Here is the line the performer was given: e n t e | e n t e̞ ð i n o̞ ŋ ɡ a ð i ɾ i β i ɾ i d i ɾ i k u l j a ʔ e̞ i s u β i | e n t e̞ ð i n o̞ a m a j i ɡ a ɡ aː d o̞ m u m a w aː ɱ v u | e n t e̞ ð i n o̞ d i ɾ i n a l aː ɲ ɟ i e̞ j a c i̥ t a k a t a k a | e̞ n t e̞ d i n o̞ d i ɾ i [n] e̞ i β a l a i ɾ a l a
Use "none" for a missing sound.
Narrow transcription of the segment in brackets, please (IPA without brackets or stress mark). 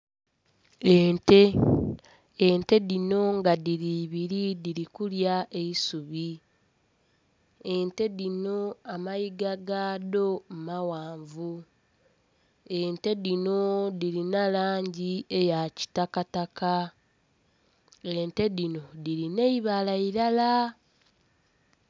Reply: n